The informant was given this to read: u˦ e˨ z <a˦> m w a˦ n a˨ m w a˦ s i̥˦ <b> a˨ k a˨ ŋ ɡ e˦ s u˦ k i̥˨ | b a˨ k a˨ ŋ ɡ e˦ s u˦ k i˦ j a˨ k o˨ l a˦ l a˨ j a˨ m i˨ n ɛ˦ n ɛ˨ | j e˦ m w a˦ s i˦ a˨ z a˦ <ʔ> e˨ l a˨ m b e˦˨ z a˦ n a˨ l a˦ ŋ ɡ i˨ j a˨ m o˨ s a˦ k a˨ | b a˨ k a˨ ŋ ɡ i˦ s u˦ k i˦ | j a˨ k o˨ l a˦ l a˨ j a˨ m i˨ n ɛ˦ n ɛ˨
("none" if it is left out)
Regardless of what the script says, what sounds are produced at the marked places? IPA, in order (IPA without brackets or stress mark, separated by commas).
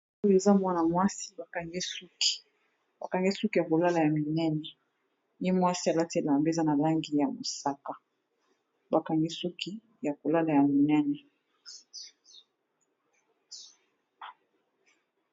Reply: a˦, b, t